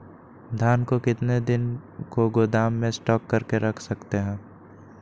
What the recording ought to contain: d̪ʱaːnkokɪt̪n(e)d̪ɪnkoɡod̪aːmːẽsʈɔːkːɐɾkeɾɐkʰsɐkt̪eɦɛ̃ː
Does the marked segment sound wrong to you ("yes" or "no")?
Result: no